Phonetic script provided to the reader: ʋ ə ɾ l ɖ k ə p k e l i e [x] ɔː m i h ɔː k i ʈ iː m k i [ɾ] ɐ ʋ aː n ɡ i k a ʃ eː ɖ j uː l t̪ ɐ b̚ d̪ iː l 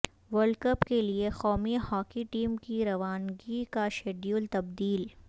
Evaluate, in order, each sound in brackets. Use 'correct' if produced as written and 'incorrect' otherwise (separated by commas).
correct, correct